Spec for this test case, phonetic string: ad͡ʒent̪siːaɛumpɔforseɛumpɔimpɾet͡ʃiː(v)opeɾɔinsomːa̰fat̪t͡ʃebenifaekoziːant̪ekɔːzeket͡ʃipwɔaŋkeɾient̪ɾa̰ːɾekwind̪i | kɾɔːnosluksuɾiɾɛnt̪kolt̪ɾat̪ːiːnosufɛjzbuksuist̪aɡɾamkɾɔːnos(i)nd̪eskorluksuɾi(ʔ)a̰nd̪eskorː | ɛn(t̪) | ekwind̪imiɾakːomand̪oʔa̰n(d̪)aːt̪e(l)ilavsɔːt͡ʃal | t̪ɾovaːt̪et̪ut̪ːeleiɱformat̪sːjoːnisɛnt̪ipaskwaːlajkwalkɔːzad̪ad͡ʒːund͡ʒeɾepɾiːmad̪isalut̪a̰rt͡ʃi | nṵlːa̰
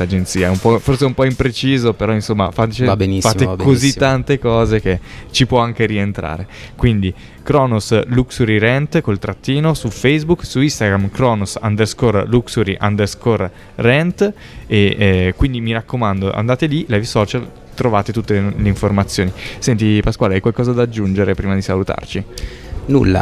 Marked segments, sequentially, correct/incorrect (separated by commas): incorrect, incorrect, correct, correct, correct, correct